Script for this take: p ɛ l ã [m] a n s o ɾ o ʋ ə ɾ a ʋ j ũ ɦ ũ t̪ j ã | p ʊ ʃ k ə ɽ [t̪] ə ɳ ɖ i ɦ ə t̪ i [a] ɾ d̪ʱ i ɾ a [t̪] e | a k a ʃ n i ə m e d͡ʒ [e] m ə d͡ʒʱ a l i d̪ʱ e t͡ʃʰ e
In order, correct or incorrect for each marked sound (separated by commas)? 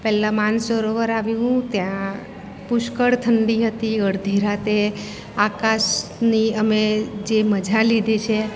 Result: correct, incorrect, incorrect, correct, correct